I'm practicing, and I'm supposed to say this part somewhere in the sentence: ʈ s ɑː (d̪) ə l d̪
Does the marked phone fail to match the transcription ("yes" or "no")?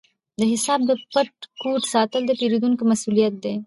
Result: yes